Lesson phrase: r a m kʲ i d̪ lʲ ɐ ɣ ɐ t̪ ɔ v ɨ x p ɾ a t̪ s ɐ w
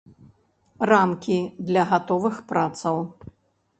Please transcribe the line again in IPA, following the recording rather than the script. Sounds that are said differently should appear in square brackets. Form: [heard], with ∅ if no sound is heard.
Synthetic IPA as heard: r a m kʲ i d̪ lʲ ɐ ɣ [a] t̪ ɔ v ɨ x p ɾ a t̪ s ɐ w

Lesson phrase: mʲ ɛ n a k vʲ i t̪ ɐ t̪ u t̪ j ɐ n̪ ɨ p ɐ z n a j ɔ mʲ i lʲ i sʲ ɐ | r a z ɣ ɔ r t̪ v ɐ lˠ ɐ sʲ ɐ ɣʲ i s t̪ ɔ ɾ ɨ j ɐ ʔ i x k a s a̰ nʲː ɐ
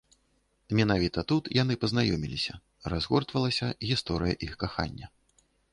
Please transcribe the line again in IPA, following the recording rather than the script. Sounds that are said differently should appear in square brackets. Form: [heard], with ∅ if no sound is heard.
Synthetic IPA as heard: mʲ ɛ n a [∅] vʲ i t̪ ɐ t̪ u t̪ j [a] n̪ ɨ p ɐ z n a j ɔ mʲ i lʲ i sʲ ɐ | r a z ɣ ɔ r t̪ v ɐ lˠ ɐ sʲ ɐ ɣʲ i s t̪ ɔ ɾ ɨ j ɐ ʔ i x k a [x] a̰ nʲː ɐ

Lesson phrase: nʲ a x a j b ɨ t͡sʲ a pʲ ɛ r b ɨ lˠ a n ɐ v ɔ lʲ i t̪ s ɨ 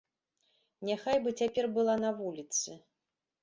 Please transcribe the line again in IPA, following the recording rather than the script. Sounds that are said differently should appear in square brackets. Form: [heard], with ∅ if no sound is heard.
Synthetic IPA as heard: nʲ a x a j b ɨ t͡sʲ a pʲ ɛ r b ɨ lˠ a n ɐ v [u] lʲ i t̪ s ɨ

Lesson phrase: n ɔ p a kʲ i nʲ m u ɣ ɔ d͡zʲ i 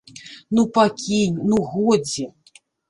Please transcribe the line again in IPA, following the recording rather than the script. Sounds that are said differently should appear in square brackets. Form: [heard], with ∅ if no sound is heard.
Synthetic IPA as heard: n [u] p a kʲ i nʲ [n] u ɣ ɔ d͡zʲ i

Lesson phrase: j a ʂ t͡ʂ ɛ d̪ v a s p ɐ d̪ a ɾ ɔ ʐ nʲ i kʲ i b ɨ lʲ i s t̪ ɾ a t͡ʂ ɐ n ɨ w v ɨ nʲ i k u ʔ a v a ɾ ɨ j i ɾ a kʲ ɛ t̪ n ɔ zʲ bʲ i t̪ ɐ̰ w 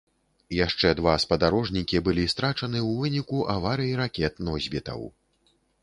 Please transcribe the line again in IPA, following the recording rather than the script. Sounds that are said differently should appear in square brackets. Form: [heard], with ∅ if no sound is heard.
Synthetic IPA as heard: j a ʂ t͡ʂ ɛ d̪ v a s p ɐ d̪ a ɾ ɔ ʐ nʲ i kʲ i b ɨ lʲ i s t̪ ɾ a t͡ʂ ɐ n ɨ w v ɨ nʲ i k u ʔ a v a ɾ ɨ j i ɾ a kʲ ɛ t̪ n ɔ zʲ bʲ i t̪ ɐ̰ w

